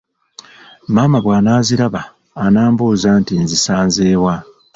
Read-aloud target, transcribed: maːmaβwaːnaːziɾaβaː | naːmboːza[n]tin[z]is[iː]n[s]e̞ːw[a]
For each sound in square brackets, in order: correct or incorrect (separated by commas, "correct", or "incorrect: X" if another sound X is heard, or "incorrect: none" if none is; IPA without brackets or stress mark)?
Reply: correct, correct, incorrect: aː, incorrect: z, correct